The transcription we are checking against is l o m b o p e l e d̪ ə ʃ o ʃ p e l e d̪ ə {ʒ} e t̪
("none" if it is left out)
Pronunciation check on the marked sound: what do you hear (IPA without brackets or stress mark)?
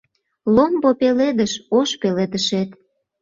ʃ